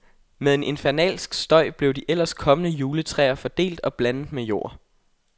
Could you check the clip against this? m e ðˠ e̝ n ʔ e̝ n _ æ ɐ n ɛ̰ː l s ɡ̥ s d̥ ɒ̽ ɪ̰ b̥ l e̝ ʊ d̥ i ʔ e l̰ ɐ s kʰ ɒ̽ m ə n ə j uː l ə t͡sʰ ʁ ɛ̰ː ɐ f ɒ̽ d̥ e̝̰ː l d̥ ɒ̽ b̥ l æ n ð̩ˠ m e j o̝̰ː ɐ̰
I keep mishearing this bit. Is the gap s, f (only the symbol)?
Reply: f